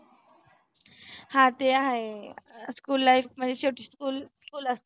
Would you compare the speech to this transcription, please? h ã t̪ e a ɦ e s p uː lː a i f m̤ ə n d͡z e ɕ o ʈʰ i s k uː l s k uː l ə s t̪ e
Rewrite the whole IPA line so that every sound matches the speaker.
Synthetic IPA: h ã t̪ e a ɦ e s k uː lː a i f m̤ ə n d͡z e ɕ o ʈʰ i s k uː l s k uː l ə s t̪ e